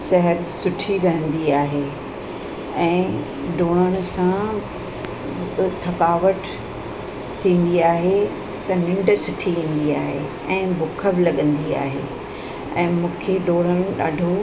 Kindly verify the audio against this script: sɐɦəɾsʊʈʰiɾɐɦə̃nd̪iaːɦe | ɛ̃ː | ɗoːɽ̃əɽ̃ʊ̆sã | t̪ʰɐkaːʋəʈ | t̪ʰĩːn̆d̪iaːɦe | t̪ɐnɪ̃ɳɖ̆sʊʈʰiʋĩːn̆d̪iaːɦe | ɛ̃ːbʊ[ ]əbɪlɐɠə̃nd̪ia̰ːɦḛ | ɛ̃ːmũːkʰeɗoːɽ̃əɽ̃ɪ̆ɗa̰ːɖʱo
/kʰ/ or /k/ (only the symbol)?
kʰ